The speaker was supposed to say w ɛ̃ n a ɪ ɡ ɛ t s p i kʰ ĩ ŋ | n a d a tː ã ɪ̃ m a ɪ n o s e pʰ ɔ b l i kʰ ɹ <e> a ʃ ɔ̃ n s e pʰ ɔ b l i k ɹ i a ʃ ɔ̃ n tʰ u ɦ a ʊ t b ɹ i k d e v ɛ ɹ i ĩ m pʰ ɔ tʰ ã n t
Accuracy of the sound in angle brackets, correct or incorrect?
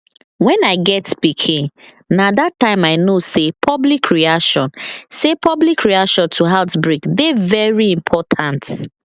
incorrect: i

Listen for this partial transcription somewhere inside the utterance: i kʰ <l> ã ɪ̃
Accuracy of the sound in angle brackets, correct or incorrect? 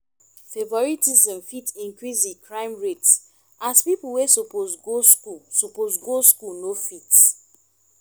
incorrect: ɹ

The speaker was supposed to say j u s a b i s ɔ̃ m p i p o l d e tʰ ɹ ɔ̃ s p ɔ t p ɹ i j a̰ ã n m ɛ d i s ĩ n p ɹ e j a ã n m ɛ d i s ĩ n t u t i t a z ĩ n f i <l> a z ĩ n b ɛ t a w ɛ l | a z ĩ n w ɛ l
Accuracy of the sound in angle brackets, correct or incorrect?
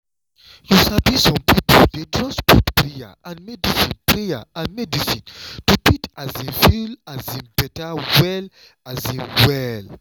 correct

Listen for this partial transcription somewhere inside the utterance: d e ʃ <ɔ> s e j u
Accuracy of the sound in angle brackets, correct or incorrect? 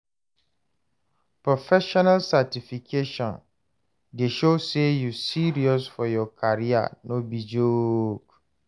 incorrect: o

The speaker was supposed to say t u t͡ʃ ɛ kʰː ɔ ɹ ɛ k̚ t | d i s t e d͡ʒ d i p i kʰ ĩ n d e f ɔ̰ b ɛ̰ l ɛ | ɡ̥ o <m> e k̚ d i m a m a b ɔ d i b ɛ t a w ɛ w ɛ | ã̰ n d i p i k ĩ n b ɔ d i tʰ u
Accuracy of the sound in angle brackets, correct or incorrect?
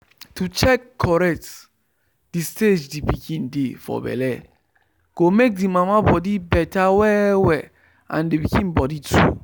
correct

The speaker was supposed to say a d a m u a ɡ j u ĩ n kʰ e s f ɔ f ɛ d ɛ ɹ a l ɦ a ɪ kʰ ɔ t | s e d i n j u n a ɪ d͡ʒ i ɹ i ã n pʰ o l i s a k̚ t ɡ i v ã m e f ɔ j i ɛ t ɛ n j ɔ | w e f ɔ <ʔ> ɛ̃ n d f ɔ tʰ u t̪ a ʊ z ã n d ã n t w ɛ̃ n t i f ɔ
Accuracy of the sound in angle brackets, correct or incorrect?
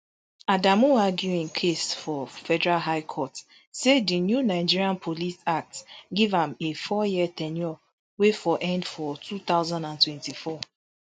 correct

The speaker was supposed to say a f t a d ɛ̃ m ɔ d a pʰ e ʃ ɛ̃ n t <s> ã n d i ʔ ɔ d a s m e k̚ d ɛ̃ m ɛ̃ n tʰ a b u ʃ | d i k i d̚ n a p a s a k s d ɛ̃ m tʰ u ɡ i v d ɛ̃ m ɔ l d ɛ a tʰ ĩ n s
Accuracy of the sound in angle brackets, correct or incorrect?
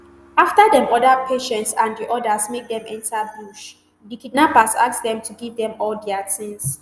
correct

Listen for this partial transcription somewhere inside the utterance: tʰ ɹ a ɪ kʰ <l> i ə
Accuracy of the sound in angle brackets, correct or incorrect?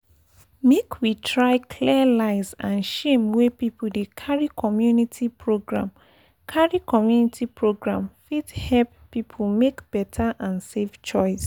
correct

